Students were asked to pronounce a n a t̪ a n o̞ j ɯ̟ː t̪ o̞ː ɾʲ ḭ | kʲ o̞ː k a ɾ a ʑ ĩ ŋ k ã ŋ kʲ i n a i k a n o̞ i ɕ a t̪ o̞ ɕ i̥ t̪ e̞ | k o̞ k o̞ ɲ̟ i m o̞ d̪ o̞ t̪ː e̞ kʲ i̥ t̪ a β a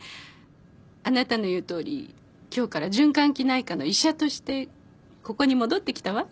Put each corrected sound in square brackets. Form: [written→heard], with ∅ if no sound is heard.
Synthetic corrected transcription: a n a t̪ a n o̞ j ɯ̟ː t̪ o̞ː ɾʲ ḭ | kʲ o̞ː k a ɾ a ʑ [ĩ→ɨ̃] ŋ k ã ŋ kʲ i n a i k a n o̞ i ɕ a t̪ o̞ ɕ i̥ t̪ e̞ | k o̞ k o̞ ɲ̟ i m o̞ d̪ o̞ t̪ː e̞ kʲ i̥ t̪ a β a